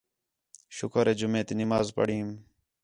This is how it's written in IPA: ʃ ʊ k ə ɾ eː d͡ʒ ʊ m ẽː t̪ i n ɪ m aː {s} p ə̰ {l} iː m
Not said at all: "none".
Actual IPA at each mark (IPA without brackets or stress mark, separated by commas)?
z, ɽ